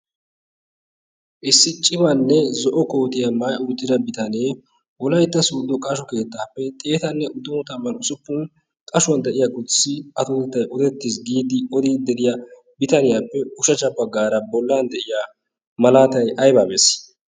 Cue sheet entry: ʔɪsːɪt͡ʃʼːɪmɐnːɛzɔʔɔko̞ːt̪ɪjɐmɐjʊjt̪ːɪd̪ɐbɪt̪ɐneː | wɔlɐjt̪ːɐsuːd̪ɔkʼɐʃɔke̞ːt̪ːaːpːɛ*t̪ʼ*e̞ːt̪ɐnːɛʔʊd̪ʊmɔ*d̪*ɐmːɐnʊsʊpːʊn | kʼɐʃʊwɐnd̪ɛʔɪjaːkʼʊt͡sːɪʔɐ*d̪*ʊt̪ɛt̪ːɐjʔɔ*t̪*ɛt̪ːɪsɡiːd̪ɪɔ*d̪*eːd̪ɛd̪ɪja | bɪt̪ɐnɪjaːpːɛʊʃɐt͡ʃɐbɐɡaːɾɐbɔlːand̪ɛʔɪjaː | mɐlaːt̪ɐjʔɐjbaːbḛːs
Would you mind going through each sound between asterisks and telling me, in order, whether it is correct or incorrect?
correct, incorrect: t̪, incorrect: t̪, incorrect: d̪, correct

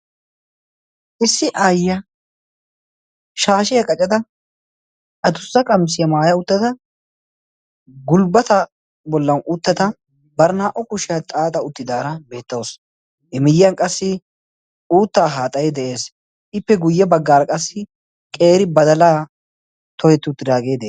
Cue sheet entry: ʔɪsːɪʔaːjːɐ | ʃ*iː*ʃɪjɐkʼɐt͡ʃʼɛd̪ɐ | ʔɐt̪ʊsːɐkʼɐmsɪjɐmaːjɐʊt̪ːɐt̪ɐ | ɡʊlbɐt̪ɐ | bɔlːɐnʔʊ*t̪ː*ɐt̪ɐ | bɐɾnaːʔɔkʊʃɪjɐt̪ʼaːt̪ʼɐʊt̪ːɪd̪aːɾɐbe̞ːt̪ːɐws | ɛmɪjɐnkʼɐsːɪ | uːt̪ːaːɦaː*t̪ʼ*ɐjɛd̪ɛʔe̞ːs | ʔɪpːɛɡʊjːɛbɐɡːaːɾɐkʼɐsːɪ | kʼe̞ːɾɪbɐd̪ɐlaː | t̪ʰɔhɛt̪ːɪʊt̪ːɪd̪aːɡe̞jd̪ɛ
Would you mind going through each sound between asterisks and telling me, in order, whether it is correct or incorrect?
incorrect: aː, correct, correct

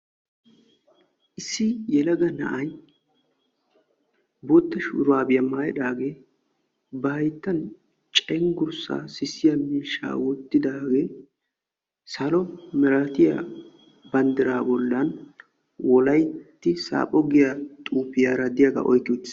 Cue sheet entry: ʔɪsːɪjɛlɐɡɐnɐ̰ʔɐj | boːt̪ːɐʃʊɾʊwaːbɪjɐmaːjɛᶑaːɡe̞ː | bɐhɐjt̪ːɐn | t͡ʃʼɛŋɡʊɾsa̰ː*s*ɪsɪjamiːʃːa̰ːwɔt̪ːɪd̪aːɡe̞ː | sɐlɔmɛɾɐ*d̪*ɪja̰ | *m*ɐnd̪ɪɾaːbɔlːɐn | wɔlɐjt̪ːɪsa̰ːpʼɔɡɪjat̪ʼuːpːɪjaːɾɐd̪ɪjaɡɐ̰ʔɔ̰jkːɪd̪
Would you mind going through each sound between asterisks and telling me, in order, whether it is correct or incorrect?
correct, incorrect: t̪, incorrect: b

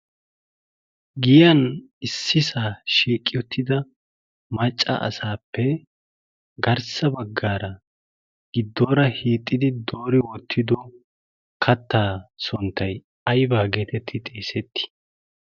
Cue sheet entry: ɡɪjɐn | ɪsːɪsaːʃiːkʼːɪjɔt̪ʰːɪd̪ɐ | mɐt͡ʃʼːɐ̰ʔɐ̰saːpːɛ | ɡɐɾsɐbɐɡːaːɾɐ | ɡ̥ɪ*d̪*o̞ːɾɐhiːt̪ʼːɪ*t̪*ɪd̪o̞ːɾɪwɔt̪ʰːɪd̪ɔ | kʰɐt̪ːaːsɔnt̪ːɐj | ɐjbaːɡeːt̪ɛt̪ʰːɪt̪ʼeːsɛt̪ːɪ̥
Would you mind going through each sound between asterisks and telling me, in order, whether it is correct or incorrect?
incorrect: d̪ː, incorrect: d̪

